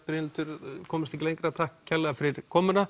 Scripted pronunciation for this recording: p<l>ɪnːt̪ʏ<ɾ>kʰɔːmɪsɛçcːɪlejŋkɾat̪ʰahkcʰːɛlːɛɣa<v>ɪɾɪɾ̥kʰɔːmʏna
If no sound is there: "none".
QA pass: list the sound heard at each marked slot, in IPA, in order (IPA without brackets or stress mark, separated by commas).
ɾ, ɾ, f